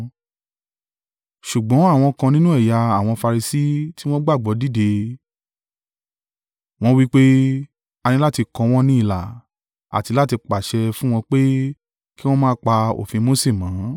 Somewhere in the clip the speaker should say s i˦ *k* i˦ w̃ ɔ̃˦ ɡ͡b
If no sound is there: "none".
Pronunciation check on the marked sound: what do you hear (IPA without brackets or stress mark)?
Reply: t